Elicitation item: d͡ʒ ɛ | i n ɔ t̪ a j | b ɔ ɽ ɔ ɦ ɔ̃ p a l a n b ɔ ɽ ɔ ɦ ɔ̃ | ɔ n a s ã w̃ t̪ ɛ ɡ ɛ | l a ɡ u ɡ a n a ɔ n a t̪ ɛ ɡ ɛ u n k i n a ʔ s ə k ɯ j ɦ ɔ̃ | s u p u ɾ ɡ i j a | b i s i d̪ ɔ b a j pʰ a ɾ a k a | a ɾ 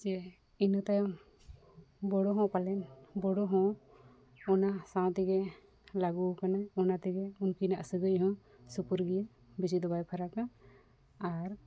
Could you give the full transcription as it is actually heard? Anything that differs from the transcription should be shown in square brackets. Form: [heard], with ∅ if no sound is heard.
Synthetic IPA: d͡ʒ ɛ | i n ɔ t̪ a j | b ɔ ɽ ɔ ɦ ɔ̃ p a l [ɛ] n b ɔ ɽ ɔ ɦ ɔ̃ | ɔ n a s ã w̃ t̪ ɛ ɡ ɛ | l a ɡ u [k] a n a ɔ n a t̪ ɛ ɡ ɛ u n k i n a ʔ s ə [ɡ] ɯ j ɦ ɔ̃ | s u p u ɾ ɡ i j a | b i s i d̪ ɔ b a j pʰ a ɾ a k a | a ɾ